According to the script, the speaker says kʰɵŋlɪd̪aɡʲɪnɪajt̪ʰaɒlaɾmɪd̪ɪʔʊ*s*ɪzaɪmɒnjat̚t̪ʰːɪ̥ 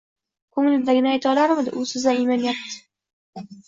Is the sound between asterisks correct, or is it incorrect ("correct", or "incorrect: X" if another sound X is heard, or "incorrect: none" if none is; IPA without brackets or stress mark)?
correct